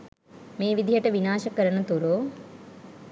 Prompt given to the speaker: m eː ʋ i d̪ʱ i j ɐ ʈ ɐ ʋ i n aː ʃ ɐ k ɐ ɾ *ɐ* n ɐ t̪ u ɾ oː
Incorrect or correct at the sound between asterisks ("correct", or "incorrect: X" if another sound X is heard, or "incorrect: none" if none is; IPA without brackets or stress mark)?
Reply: correct